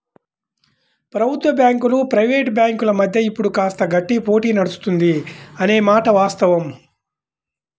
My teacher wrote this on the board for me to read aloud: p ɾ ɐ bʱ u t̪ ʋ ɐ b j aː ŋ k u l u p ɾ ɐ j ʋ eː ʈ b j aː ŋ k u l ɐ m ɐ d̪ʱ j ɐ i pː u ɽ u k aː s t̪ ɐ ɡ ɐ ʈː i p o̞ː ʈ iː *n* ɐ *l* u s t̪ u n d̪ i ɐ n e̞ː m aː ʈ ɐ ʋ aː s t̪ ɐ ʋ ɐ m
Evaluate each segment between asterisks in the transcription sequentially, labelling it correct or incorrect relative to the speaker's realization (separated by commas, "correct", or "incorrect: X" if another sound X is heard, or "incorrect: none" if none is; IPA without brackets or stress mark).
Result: correct, incorrect: ɽ